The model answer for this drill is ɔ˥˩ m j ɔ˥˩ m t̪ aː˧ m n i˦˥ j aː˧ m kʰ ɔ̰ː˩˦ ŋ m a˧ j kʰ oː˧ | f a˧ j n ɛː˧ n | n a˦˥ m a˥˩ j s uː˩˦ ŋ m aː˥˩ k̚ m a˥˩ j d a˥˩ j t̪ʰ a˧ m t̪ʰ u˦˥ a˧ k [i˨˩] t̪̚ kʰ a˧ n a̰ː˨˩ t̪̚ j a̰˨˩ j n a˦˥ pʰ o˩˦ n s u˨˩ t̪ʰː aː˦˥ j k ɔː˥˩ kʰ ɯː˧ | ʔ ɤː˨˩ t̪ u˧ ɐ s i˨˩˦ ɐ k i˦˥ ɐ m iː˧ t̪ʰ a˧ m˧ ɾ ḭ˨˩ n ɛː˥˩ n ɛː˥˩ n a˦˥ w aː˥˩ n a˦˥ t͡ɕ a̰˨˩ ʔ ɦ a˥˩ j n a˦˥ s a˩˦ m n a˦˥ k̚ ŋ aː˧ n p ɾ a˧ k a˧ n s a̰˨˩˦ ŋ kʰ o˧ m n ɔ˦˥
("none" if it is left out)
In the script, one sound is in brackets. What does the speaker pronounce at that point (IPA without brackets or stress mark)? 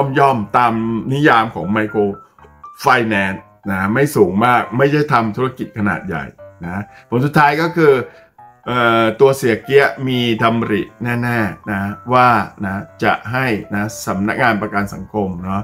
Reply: i˨˩